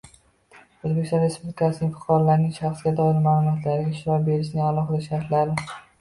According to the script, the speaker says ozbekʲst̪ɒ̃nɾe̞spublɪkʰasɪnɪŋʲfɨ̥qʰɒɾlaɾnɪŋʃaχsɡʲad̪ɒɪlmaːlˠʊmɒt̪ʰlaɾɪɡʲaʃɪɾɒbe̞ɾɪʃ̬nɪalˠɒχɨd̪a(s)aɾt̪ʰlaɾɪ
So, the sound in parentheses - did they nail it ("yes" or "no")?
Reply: no